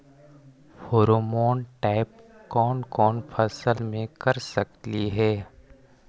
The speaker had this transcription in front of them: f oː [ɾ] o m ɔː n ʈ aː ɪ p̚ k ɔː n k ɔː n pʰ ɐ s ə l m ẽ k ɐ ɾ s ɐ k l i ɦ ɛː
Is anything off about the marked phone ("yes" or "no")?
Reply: no